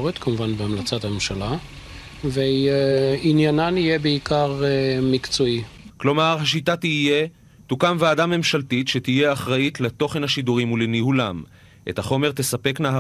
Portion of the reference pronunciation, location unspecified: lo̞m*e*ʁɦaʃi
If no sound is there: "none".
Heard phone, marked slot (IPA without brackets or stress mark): a